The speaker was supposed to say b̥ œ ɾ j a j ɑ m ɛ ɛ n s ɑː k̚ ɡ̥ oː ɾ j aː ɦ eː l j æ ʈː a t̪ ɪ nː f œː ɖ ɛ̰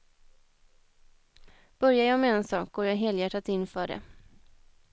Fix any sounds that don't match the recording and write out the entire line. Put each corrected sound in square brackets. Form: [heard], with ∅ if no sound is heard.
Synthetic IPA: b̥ œ ɾ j a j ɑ m ɛ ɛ n s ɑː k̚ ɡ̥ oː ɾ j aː ɦ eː l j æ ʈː a t̪ ɪ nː f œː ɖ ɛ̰